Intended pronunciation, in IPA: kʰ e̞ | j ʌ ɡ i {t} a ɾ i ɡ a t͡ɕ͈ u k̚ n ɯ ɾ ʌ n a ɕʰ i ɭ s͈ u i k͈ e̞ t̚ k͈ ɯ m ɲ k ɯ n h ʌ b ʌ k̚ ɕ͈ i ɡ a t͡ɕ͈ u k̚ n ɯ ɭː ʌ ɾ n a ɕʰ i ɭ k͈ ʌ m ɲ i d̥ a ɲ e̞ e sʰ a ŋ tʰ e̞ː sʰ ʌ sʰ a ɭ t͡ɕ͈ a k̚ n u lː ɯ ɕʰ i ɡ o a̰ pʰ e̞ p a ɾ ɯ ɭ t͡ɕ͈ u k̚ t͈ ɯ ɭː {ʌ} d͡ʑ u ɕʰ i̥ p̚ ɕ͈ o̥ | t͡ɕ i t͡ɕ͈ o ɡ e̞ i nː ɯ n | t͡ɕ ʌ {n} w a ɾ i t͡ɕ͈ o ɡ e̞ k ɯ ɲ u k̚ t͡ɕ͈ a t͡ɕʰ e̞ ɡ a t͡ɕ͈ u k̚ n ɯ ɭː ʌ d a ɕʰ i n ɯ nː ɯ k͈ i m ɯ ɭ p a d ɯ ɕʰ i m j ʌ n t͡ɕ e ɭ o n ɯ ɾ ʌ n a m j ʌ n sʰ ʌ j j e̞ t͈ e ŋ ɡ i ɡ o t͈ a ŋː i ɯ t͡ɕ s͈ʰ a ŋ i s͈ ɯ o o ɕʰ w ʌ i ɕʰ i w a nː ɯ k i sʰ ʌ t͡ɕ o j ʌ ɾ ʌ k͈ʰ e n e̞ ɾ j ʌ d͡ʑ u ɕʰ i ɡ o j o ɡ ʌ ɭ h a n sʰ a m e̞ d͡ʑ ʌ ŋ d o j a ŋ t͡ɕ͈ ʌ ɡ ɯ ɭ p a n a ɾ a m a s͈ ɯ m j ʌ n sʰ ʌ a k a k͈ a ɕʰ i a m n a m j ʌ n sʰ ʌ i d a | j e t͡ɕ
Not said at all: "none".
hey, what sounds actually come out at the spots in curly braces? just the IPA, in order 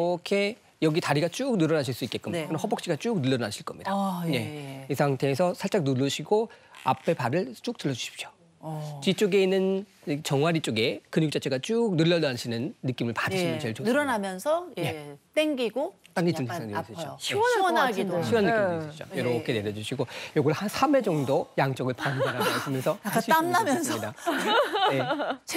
t, ʌ, ŋ

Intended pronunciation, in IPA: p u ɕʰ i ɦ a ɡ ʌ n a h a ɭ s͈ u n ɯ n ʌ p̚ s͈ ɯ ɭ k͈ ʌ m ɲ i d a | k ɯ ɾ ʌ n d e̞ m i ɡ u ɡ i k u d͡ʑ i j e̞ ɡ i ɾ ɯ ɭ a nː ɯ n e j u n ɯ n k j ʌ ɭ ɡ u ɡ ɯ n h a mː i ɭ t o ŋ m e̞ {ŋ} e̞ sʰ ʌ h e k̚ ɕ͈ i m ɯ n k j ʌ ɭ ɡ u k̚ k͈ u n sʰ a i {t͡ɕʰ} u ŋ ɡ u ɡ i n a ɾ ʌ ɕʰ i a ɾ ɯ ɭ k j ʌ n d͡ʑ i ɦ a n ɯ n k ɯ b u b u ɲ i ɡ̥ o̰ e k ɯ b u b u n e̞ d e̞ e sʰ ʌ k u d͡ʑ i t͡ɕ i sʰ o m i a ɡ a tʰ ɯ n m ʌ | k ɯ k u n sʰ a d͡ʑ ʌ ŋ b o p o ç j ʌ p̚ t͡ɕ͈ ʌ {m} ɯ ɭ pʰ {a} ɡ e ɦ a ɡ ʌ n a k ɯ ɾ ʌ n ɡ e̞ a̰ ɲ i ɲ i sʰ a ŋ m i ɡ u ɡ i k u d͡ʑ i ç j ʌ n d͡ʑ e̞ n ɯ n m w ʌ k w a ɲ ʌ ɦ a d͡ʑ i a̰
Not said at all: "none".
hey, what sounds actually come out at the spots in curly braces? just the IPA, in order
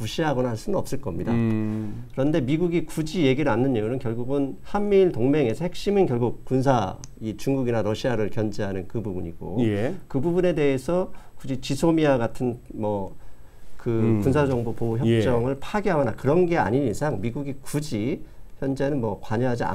ŋ, t͡ɕ, ŋ, a

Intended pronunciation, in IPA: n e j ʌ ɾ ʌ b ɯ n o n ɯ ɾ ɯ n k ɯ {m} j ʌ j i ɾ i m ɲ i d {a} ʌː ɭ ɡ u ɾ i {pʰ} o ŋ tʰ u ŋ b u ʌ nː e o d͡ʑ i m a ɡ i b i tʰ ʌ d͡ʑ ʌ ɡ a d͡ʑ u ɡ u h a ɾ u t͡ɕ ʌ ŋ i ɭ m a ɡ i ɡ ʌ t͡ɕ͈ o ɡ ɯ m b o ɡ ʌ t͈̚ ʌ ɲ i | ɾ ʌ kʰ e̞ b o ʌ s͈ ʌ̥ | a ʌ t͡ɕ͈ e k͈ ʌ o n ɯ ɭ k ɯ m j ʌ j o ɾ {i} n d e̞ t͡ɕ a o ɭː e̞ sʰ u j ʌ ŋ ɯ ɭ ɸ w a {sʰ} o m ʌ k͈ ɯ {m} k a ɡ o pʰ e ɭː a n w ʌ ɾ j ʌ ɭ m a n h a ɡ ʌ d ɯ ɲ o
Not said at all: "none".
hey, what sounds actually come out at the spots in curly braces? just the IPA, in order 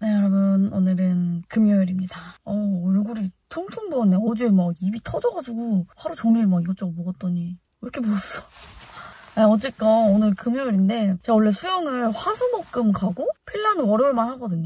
m, a, tʰ, i, sʰ, m

